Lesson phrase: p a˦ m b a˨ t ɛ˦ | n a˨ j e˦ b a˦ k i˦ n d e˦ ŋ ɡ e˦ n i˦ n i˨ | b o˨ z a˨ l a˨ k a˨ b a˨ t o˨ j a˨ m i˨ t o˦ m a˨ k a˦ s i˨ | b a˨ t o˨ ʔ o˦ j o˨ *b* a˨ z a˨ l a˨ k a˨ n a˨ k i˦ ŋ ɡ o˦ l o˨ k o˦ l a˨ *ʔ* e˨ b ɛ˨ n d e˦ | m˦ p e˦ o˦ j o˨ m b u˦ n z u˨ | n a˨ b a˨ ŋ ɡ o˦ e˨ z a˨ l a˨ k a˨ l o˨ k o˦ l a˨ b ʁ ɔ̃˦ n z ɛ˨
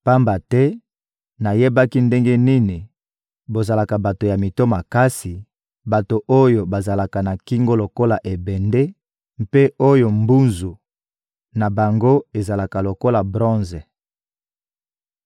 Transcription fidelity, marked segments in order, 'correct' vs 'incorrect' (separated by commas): correct, correct